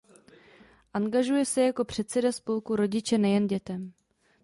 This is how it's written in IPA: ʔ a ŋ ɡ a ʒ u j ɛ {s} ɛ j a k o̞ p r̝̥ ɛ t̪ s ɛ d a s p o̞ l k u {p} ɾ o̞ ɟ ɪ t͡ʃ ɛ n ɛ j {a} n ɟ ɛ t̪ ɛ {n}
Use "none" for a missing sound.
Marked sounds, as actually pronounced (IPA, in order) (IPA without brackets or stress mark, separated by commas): s, none, ɛ, m